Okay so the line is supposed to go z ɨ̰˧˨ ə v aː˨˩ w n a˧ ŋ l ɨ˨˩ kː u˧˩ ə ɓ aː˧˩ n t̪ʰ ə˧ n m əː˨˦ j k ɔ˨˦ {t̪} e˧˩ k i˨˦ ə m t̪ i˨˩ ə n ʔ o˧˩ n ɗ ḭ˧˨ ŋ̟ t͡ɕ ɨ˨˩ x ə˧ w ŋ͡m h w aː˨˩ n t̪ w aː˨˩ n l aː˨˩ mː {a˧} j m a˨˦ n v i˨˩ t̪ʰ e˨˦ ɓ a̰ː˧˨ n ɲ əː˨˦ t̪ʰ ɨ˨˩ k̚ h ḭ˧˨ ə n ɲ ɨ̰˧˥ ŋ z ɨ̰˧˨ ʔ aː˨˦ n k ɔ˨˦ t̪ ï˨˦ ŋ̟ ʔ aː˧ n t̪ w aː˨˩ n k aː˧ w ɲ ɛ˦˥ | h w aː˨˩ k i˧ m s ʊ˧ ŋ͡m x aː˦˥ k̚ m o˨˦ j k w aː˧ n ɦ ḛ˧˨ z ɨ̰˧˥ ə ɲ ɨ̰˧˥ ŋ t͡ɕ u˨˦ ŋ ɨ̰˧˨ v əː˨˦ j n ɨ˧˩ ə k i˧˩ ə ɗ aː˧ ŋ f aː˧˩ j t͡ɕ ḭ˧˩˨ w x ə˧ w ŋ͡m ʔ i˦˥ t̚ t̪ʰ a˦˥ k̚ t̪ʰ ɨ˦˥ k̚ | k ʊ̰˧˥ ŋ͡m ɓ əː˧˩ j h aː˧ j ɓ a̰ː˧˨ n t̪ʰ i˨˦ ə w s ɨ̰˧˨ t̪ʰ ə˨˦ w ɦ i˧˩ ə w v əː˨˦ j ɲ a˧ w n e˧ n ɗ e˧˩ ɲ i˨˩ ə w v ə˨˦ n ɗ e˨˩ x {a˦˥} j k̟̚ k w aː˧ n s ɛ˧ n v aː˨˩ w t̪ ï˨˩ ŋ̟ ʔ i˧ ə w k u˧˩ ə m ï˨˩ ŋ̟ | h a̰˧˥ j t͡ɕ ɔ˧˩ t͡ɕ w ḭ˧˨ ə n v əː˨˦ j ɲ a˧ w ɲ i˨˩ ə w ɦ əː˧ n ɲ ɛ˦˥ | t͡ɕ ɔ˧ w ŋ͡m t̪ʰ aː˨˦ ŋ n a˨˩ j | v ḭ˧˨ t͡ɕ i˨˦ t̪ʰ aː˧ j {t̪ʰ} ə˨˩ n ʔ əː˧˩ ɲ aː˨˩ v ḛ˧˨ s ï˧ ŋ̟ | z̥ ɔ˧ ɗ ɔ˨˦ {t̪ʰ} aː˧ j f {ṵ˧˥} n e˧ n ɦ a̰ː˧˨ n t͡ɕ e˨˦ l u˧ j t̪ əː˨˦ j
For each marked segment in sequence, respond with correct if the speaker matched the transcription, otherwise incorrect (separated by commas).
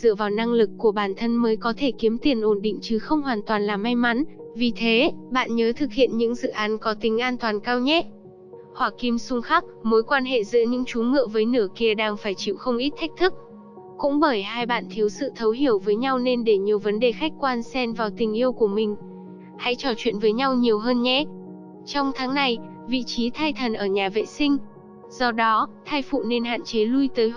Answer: incorrect, correct, correct, correct, correct, incorrect